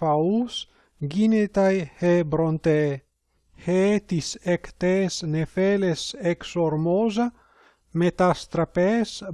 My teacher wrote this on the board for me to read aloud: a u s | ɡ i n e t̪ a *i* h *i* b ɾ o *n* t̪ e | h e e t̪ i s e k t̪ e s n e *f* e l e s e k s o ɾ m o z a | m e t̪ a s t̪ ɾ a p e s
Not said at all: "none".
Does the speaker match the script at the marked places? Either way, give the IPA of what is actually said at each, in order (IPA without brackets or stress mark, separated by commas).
j, e, n, f